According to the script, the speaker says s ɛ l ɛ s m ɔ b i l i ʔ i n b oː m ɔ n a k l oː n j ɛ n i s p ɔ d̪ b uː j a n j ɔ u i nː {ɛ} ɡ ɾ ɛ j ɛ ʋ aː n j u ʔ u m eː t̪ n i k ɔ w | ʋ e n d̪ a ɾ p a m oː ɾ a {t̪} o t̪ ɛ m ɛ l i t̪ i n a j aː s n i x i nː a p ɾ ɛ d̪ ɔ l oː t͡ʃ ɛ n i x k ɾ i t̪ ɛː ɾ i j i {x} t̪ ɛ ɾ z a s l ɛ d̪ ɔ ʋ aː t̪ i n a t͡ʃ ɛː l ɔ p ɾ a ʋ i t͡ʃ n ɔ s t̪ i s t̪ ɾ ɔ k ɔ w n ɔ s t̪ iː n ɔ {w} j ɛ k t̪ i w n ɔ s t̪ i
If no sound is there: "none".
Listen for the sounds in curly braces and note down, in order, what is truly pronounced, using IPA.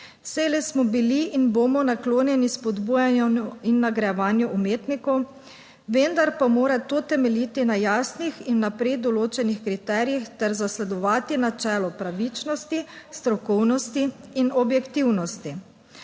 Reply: a, t̪, x, b

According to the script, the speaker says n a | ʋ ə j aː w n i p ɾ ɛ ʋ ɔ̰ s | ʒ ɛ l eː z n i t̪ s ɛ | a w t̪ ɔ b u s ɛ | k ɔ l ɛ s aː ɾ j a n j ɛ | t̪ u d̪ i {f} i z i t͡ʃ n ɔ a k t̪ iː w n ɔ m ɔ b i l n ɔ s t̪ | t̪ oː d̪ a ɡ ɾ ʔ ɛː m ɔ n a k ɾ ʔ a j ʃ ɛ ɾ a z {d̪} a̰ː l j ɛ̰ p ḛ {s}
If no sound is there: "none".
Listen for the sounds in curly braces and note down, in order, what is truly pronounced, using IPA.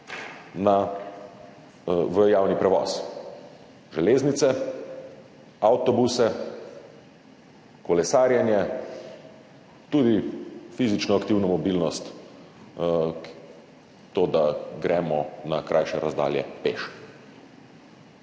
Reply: f, d̪, ʃ

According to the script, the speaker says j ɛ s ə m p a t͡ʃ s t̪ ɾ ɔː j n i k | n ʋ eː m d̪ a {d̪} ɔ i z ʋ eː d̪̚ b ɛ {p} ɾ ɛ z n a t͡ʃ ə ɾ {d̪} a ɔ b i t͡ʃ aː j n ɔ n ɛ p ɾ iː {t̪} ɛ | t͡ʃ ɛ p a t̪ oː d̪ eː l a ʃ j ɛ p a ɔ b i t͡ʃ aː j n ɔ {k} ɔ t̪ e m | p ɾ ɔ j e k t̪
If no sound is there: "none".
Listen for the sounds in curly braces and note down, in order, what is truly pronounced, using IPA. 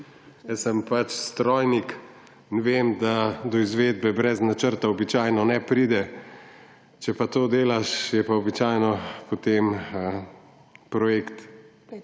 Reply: d̪, b, t̪, d̪, p

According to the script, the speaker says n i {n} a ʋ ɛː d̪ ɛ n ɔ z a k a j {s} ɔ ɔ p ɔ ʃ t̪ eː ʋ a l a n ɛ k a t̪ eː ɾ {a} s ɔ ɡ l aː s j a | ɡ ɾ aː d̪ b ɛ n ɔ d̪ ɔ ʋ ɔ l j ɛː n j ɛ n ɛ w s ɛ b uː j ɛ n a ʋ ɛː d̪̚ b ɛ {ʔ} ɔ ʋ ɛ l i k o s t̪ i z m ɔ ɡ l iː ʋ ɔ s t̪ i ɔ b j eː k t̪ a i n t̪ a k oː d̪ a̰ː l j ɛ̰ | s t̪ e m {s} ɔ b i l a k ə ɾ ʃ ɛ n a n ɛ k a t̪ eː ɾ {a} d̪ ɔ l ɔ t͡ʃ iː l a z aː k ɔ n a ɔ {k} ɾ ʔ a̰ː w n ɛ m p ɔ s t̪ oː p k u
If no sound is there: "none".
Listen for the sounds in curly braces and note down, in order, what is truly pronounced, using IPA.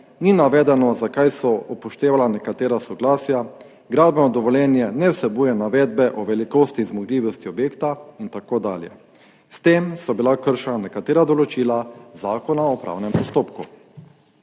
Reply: n, s, a, ʔ, s, a, p

